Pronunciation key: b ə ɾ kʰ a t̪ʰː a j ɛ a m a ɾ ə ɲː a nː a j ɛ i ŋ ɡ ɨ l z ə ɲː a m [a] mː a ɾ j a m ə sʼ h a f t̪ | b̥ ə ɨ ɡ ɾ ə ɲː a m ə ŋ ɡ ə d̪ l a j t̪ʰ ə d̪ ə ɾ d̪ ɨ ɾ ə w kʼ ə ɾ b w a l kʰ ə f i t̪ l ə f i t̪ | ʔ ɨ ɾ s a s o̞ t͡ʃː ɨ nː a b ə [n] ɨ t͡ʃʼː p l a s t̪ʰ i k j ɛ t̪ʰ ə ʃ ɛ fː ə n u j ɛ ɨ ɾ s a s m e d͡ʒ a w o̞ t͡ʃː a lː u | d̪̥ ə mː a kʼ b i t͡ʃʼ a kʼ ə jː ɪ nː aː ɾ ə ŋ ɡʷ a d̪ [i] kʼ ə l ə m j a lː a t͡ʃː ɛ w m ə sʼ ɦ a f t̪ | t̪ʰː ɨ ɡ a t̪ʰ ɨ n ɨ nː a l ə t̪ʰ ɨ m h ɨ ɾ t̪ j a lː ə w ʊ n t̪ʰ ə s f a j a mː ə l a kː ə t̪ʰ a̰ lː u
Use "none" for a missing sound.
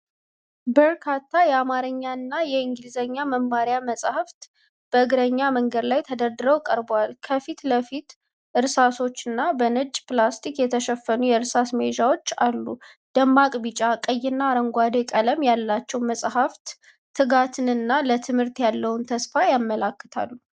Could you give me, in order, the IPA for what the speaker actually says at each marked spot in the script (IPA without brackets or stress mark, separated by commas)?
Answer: ə, n, e